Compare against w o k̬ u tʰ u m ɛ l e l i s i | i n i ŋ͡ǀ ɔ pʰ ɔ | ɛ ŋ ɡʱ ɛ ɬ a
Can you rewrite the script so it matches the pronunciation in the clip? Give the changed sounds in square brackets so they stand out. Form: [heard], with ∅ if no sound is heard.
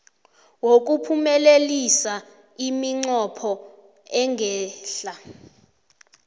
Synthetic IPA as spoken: w o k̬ u [pʰ] u m ɛ l e l i s [a] | i [m] i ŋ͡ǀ ɔ pʰ ɔ | ɛ ŋ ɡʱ [ɛː] ɬ a